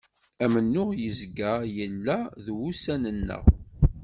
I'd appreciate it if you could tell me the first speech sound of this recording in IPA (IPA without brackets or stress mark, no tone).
æ